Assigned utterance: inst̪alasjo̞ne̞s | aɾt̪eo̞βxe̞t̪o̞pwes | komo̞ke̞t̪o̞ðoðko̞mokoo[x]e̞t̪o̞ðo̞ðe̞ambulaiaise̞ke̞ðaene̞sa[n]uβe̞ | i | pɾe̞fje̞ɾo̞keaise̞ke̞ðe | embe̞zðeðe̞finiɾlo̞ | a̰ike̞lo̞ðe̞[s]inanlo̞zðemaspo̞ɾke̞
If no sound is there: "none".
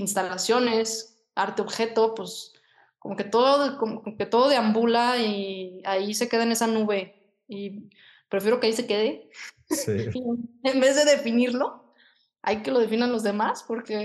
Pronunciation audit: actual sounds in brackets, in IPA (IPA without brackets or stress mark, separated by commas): k, n, f